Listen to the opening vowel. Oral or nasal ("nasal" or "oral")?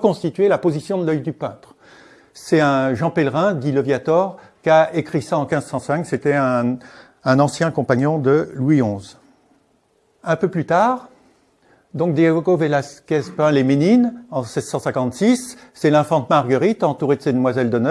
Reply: nasal